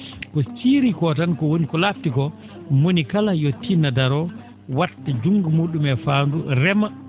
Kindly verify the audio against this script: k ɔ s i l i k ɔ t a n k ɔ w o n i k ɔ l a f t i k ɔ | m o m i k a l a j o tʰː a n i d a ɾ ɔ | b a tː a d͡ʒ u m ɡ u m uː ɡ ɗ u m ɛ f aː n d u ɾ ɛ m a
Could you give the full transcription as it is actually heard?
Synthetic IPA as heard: k ɔ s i ɾ i k ɔ t a n k ɔ w o n i k ɔ l a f t i k ɔ | m o n i k a l a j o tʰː i n a d a ɾ ɔ | w a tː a d͡ʒ u ŋ ɡ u m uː ɗ u m ɛ f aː n d u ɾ ɛ m a